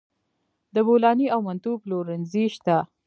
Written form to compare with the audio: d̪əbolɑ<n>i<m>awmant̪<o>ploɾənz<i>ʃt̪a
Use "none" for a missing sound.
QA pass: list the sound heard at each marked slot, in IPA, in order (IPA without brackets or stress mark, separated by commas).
n, none, u, i